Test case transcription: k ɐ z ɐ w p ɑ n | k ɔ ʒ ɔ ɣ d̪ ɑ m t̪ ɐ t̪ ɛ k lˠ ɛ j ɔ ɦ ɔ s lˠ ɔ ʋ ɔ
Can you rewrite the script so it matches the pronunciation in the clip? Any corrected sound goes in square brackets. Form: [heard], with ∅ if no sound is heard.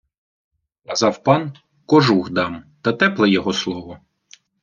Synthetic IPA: k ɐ z [ɑ] w p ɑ n | k ɔ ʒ [u] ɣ d̪ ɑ m t̪ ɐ t̪ ɛ [p] lˠ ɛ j ɔ ɦ ɔ s lˠ ɔ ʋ ɔ